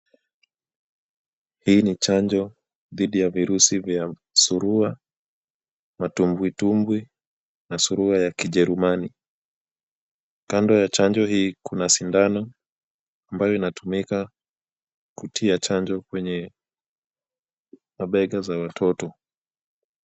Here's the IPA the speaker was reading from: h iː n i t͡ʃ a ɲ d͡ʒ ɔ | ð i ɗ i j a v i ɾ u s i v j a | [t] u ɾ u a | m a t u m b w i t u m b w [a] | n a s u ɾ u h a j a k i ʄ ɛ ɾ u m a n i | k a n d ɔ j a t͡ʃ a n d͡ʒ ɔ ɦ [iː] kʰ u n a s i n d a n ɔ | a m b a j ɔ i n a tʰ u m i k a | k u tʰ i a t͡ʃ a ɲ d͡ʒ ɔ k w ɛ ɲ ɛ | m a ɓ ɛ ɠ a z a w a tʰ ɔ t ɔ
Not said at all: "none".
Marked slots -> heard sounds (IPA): s, i, iː

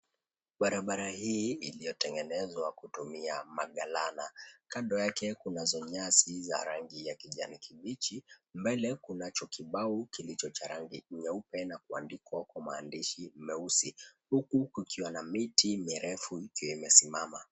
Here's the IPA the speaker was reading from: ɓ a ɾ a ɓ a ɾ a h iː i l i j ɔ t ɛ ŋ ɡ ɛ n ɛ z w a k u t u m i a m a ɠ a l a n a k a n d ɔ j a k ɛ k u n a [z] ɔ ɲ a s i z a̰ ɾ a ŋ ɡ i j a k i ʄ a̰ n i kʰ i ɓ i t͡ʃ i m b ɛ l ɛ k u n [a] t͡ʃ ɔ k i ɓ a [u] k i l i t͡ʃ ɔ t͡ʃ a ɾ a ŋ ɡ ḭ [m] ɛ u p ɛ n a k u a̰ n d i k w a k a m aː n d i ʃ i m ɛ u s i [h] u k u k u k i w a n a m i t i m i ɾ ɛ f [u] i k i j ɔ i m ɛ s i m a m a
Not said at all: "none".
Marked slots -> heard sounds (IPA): z, a, u, ɲ, h, u

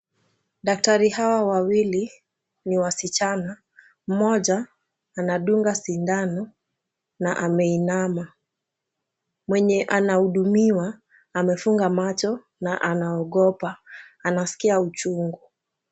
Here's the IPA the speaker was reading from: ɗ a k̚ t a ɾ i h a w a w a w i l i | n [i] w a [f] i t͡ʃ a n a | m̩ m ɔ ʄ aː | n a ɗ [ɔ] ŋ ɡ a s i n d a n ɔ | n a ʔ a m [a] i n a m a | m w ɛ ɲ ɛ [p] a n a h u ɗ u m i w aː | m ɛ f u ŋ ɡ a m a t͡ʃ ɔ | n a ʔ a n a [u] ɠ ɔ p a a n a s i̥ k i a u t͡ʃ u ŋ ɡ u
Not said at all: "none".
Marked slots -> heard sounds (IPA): i, s, u, ɛ, ʔ, ɔ

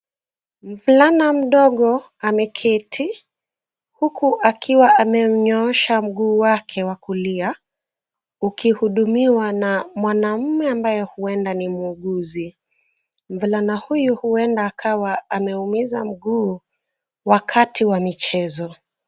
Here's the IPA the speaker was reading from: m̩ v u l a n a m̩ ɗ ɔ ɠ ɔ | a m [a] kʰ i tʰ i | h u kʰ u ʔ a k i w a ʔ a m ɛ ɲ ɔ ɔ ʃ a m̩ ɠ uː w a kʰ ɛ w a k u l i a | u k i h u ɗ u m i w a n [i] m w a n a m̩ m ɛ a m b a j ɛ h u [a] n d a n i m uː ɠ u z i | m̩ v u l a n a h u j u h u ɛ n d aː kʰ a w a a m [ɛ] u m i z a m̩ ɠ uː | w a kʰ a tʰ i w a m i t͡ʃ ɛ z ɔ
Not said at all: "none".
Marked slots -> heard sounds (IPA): ɛ, a, ɛ, ɛ

